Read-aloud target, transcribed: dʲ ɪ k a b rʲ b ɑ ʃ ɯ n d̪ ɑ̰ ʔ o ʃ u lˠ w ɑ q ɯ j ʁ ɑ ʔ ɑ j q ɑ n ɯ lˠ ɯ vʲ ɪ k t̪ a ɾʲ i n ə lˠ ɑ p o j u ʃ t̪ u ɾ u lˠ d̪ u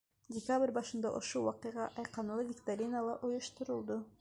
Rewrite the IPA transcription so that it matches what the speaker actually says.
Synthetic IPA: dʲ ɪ k a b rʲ b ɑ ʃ ɯ n d̪ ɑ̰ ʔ o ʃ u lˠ w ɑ q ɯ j ʁ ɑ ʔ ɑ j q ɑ n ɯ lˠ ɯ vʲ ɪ k t̪ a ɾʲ i n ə lˠ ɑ ʔ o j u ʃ t̪ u ɾ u lˠ d̪ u

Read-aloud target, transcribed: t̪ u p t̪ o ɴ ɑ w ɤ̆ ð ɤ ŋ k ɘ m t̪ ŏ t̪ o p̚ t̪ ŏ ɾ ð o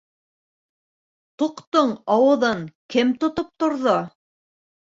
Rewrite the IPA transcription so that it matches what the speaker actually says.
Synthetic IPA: t̪ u q t̪ o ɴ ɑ w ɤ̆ ð ɤ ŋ k ɘ m t̪ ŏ t̪ o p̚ t̪ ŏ ɾ ð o

